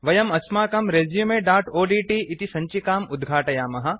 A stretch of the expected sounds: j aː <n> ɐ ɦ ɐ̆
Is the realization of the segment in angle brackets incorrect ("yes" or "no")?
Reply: yes